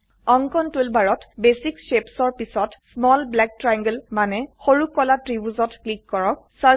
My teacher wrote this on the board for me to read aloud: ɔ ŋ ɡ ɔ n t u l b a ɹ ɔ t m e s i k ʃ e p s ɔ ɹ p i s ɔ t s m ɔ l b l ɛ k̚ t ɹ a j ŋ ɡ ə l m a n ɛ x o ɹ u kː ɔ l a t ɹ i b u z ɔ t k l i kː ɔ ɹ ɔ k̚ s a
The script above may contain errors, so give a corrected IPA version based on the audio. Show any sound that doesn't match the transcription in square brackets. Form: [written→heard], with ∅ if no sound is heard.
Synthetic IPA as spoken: ɔ ŋ [ɡ→k] ɔ n t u l b a ɹ ɔ t [m→b] e s i k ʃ e p s ɔ ɹ p i s ɔ t s m ɔ l b l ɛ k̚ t ɹ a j ŋ ɡ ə l m a n ɛ x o ɹ u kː ɔ l a t ɹ i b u z ɔ t k l i kː ɔ ɹ ɔ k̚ s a